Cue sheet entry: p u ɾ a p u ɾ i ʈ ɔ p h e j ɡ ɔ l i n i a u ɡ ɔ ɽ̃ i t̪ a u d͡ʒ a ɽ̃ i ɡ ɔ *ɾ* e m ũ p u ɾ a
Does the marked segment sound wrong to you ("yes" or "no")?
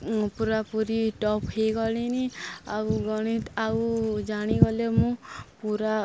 yes